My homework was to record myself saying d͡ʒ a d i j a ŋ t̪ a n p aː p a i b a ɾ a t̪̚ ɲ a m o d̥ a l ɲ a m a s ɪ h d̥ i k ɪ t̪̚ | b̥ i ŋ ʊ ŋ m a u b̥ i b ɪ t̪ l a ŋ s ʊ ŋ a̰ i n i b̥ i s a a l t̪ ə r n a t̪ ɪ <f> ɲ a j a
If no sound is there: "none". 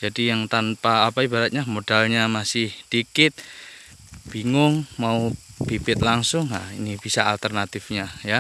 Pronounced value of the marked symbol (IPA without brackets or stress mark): f